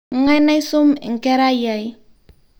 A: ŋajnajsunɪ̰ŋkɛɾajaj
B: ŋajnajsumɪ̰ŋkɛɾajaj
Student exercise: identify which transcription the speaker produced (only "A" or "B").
B